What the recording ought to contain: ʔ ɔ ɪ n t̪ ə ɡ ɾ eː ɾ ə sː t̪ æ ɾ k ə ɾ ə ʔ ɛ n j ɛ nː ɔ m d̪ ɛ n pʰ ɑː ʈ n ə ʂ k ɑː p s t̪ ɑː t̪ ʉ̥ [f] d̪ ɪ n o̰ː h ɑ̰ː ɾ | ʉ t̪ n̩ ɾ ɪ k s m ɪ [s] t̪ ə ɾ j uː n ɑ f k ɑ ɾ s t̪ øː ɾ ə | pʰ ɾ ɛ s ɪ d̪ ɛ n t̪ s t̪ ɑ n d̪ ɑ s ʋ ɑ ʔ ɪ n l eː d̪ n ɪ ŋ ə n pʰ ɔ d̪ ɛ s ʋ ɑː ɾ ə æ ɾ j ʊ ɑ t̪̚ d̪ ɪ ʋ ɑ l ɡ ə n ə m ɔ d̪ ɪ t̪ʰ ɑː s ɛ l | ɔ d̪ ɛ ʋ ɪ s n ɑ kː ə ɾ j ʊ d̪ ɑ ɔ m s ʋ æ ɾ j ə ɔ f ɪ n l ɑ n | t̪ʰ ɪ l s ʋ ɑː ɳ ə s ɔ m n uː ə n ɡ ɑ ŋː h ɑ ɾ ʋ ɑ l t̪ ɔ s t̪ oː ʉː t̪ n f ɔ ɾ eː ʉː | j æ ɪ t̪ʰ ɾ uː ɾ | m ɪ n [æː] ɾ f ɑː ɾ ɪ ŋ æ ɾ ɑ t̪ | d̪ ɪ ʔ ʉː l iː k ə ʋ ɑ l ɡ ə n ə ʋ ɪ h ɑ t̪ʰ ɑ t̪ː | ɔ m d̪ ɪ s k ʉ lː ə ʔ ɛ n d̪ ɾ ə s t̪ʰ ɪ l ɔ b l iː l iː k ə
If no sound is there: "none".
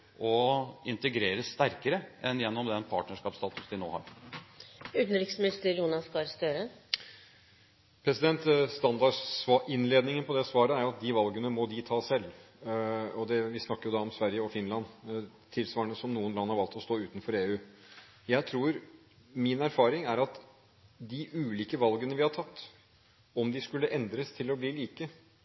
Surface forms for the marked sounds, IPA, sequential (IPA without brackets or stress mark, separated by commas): s, s, æ